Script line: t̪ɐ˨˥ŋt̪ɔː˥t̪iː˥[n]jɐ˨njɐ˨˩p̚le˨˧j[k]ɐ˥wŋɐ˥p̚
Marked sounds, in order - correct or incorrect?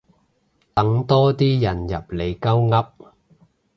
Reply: incorrect, correct

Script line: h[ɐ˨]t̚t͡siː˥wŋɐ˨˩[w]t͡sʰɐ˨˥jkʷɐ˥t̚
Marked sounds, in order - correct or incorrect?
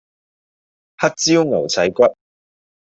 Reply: incorrect, correct

